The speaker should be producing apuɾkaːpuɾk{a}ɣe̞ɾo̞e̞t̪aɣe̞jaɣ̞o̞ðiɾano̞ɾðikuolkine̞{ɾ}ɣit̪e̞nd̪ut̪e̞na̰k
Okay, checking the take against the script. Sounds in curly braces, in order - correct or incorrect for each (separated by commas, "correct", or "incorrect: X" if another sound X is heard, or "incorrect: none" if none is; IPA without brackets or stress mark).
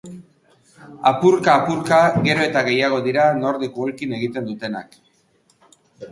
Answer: correct, incorrect: none